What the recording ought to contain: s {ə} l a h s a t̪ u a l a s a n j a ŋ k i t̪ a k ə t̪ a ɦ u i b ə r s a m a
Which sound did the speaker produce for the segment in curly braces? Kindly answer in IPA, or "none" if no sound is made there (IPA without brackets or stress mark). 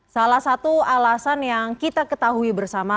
a